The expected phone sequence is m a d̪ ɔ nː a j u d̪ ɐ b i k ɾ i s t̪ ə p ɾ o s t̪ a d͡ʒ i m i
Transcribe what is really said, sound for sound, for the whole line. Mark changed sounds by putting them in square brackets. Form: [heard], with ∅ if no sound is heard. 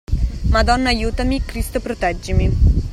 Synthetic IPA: m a d̪ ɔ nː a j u [t̪] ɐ [m] i k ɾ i s t̪ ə p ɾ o [∅] t̪ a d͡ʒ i m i